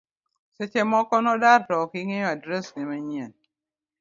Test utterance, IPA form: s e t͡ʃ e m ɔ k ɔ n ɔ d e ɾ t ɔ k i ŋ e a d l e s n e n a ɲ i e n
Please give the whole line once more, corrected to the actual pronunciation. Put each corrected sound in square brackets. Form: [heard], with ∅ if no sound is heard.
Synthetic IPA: s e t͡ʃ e m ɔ k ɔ n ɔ d [a] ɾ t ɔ k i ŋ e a d [ɾ] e s n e [m] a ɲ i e n